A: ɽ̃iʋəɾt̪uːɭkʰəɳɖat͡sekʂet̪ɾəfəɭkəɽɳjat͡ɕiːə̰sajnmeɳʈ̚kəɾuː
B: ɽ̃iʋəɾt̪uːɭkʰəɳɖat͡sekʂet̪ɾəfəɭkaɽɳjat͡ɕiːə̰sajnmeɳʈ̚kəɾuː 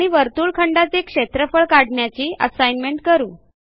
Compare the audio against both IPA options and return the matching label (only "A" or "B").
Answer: B